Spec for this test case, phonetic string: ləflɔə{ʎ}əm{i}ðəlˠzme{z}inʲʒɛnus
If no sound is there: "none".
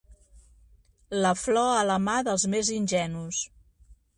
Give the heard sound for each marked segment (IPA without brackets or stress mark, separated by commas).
l, a, z